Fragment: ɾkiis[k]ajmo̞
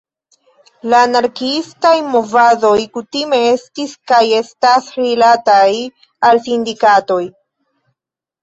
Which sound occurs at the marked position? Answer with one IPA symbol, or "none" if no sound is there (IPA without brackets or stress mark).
t